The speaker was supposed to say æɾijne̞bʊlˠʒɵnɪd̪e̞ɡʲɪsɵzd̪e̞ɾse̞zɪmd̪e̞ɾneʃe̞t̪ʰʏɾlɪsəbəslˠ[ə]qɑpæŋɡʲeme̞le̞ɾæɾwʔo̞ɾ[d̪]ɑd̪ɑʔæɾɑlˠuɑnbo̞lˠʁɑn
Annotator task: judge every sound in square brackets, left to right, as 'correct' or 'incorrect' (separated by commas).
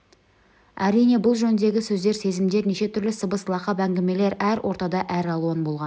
incorrect, incorrect